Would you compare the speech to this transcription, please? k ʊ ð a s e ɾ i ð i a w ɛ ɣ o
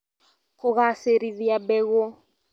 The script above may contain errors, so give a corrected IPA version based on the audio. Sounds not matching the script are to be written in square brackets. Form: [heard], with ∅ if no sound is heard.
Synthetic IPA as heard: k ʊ [ɣ] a s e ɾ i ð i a [b] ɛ ɣ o

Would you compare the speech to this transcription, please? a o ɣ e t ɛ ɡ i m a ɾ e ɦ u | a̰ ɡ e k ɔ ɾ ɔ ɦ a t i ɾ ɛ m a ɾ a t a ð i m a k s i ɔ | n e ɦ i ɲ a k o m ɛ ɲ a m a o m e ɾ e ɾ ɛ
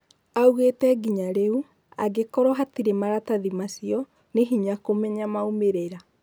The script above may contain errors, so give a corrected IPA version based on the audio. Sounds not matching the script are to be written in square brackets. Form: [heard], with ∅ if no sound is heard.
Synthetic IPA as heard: a [u] ɣ e t ɛ ɡ i [ɲ] a ɾ e [∅] u | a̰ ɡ e k ɔ ɾ ɔ ɦ a t i ɾ [e] m a ɾ a t a ð i m a [∅] s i ɔ | n e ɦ i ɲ a k o m ɛ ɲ a m a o m e ɾ e ɾ [a]

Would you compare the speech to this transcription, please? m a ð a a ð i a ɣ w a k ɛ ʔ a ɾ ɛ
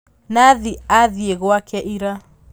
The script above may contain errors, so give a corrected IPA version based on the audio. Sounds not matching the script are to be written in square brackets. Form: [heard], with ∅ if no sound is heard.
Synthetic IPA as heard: [n] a ð [i] a ð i [e] ɣ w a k ɛ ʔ [i] ɾ [a]

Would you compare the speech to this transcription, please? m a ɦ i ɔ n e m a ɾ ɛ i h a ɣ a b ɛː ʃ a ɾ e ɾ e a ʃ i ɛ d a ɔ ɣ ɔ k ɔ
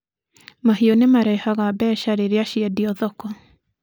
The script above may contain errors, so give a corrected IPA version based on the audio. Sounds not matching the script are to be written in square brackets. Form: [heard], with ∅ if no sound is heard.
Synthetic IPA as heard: m a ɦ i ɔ n e m a ɾ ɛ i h a ɣ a b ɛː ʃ a ɾ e ɾ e a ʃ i ɛ d [i] ɔ [ð] ɔ k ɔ

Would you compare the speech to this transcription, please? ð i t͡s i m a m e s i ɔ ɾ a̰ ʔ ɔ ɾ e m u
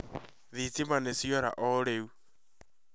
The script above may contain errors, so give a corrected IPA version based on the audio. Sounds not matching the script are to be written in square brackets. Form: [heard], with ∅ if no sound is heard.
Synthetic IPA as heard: ð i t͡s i m a [n] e s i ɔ ɾ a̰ ʔ ɔ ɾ e [∅] u

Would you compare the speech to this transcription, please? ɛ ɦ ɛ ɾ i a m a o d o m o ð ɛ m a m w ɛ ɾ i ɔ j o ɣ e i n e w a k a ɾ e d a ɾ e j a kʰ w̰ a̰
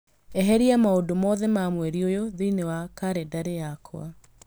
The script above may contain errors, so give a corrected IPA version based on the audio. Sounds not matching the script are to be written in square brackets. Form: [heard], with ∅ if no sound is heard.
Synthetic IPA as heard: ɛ ɦ ɛ ɾ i a m a o d o m [ɔ] ð ɛ m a m w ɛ ɾ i [o] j o [ð] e i n e w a k a ɾ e d a ɾ e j a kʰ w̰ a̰

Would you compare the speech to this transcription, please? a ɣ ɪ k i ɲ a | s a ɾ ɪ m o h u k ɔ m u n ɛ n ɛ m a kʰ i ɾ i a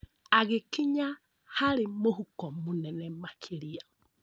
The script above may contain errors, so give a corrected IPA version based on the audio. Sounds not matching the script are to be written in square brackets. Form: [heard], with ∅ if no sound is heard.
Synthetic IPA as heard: a ɣ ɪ k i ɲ a | [h] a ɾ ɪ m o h u k ɔ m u n ɛ n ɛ m a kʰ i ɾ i a

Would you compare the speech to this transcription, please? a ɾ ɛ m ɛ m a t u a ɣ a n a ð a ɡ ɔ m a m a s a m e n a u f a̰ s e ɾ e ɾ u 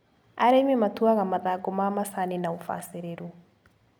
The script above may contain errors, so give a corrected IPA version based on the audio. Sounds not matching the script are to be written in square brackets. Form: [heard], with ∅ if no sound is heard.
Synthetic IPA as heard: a ɾ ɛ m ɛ m a t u a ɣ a [m] a ð a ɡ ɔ m a m a s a [n] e n a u f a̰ s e ɾ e ɾ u

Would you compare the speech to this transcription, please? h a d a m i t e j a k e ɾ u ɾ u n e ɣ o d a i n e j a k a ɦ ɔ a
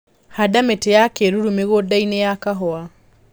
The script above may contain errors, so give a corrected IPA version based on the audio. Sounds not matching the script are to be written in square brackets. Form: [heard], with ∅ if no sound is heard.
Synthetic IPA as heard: h a d a m [e] t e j a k e ɾ u ɾ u [m] e ɣ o d a i n e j a k a ɦ ɔ a

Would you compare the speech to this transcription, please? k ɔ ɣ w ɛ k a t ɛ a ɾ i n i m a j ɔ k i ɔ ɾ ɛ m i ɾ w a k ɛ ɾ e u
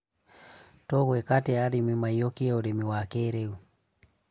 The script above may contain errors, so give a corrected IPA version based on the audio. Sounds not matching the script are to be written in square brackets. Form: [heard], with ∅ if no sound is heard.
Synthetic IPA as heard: [t] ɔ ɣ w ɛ k a t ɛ a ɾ i [m] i m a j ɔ k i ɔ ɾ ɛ m i [∅] w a k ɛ ɾ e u

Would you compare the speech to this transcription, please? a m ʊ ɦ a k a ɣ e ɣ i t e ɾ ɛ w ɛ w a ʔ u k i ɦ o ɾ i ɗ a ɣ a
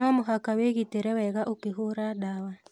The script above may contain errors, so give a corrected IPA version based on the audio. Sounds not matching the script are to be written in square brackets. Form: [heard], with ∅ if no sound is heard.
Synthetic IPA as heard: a m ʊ ɦ a k a [w] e ɣ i t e ɾ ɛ w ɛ [ɣ] a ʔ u k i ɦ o ɾ [a] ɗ a [w] a

